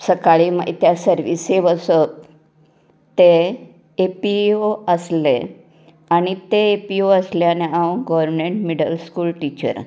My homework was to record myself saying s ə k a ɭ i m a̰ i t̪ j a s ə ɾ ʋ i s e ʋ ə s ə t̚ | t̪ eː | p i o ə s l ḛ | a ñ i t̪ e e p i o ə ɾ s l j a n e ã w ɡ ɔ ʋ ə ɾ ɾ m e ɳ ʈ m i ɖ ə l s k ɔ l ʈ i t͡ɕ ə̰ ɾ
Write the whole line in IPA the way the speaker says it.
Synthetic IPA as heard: s ə k a ɭ i m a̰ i t̪ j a s ə ɾ ʋ i s e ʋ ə s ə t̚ | t̪ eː | p i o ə s l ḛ | a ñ i t̪ e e p i o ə s l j a n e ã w ɡ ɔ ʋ ə ɾ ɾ m e ɳ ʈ m i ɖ ə l s k u l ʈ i t͡ɕ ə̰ ɾ

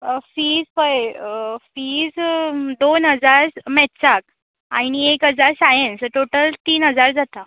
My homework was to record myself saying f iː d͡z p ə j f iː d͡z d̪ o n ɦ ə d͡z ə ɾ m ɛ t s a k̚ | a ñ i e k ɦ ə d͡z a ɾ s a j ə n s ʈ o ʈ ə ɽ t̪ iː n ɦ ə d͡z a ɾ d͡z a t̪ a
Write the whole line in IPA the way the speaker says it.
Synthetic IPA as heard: f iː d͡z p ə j f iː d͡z d̪ o n ɦ ə d͡z a ɾ m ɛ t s a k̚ | a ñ i e k ɦ ə d͡z a ɾ s a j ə n s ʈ o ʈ ə l t̪ iː n ɦ ə d͡z a ɾ d͡z a t̪ a

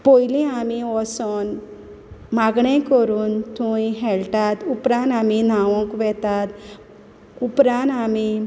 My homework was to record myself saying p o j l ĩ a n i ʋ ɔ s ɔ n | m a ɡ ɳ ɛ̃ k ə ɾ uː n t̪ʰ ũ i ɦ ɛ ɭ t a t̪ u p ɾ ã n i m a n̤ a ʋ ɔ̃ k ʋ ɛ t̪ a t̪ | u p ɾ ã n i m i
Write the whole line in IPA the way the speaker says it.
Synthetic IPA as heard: p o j l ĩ a m i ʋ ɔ s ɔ n | m a ɡ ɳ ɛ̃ k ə ɾ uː n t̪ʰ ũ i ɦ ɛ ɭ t a t̪ u p ɾ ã n a m i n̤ a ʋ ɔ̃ k ʋ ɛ t̪ a t̪ | u p ɾ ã n a m i

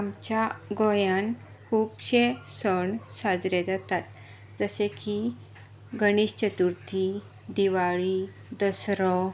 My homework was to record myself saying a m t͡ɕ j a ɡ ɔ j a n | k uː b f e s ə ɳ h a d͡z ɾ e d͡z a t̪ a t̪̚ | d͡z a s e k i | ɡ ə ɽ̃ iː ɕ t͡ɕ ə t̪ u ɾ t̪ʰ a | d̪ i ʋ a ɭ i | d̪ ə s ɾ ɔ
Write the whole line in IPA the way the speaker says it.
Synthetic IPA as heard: a m t͡ɕ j a ɡ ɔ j a n | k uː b ɕ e s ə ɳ s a d͡z ɾ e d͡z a t̪ a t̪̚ | d͡z ə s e k i | ɡ ə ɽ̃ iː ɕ t͡ɕ ə t̪ u ɾ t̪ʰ i | d̪ i ʋ a ɭ i | d̪ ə s ɾ ɔ

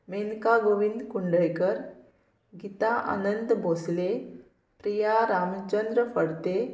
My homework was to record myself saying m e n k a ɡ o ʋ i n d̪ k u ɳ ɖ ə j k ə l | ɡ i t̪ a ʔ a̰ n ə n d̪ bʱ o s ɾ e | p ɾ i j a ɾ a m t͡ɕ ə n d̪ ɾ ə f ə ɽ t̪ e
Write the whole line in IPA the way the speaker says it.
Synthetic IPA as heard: m e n k a ɡ o ʋ i n d̪ k u ɳ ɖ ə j k ə ɾ | ɡ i t̪ a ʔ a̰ n ə n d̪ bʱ o s l e | p ɾ i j a ɾ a m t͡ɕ ə n d̪ ɾ ə f ə ɽ t̪ e

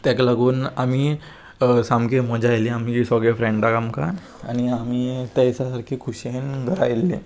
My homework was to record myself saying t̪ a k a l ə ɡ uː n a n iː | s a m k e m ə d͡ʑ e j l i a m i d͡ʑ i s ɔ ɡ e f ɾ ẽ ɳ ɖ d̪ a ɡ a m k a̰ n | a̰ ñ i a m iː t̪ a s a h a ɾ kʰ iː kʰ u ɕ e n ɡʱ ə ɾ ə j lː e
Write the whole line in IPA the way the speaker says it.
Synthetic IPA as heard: t̪ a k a l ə ɡ uː n a m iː | s a m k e m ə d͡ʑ a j l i a m i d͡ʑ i s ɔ ɡ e f ɾ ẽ ɳ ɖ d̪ a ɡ a m k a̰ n | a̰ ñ i a m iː t̪ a s a s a ɾ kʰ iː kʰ u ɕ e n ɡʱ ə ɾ a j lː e

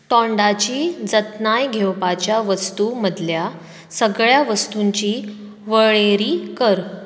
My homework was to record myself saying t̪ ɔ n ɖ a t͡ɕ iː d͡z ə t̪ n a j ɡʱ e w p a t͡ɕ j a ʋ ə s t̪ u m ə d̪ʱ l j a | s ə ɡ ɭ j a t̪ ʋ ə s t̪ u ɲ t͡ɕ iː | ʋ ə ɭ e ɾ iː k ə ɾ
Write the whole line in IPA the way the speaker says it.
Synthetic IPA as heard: t̪ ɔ ɳ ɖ a t͡ɕ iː d͡z ə t̪ n a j ɡʱ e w p a t͡ɕ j a ʋ ə s t̪ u m ə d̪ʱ l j a | s ə ɡ ɭ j a ʋ ə s t̪ u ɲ t͡ɕ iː | ʋ ə ɭ e ɾ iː k ə ɾ

